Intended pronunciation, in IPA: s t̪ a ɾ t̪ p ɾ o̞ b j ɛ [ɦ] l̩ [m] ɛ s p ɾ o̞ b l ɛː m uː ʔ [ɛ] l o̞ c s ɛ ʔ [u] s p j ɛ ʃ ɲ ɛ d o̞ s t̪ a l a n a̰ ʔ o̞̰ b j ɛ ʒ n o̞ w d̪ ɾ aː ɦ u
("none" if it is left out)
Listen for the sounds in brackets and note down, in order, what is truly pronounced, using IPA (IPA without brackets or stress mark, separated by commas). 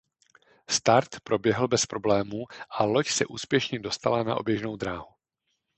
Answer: ɦ, b, a, uː